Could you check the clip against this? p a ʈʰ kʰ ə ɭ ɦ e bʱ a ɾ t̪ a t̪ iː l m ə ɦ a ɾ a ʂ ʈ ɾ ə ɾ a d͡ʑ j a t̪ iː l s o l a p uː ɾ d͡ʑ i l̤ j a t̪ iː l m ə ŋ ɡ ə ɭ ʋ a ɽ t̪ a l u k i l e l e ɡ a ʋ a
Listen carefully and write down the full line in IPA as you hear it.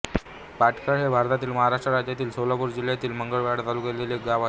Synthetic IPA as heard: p a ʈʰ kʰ ə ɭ ɦ e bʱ a ɾ t̪ a t̪ iː l m ə ɦ a ɾ a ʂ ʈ ɾ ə ɾ a d͡ʑ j a t̪ iː l s o l a p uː ɾ d͡ʑ i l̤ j a t̪ iː l m ə ŋ ɡ ə ɭ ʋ a ɽ t̪ a l u k e l e l e ɡ a ʋ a